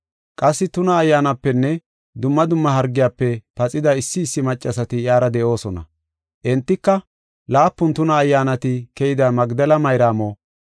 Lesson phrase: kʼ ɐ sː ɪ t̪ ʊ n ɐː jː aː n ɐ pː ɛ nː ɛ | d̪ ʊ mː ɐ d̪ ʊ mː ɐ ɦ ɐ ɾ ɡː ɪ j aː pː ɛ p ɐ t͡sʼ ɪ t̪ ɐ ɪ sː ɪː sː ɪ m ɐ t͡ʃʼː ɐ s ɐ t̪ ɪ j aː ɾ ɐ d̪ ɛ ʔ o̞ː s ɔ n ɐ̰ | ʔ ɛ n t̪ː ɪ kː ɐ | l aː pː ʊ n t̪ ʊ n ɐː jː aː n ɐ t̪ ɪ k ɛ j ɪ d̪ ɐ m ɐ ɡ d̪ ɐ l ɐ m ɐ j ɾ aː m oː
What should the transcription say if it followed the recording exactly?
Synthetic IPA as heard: kʼ ɐ sː ɪ t̪ ʊ n ɐː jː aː n ɐ pː ɛ nː ɛ | d̪ ʊ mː ɐ d̪ ʊ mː ɐ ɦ ɐ ɾ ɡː ɪ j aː pː ɛ p ɐ t͡sʼ ɪ d̪ ɐ ɪ sː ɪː sː ɪ m ɐ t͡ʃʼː ɐ s ɐ t̪ ɪ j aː ɾ ɐ d̪ ɛ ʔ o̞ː s ɔ n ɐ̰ | ʔ ɛ n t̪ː ɪ kː ɐ | l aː pː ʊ n t̪ ʊ n ɐː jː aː n ɐ t̪ ɪ k ɛ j ɪ d̪ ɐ m ɐ ɡ d̪ ɐ l ɐ m ɐ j ɾ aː m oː